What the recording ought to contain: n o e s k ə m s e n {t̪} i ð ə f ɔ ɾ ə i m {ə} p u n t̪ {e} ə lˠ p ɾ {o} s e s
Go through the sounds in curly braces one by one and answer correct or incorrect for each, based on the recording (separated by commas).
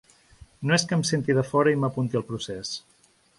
correct, correct, incorrect, incorrect